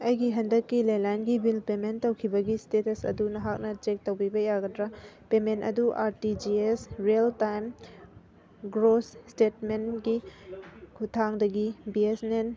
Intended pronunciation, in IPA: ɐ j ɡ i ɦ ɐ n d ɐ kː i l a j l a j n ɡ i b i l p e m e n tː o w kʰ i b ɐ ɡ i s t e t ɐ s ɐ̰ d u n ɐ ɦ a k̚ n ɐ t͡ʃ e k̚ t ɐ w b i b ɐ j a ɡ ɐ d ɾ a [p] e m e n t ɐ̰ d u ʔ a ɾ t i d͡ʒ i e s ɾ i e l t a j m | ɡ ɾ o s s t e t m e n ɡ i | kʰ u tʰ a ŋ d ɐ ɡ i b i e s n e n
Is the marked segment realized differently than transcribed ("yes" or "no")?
no